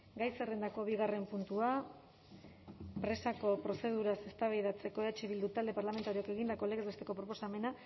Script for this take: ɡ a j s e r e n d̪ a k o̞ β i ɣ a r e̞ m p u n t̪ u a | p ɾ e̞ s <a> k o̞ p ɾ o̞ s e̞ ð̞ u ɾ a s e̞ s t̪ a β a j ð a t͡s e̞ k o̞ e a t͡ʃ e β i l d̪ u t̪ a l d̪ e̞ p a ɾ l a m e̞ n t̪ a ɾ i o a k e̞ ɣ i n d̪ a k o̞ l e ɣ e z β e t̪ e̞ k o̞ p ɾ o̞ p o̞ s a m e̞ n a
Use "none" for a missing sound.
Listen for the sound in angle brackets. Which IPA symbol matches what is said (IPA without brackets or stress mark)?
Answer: a